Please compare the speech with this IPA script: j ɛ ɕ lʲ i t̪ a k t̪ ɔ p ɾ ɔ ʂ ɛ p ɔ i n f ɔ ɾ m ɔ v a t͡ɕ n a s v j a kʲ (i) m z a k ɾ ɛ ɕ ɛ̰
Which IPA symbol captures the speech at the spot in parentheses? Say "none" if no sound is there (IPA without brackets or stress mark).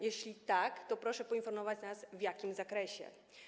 i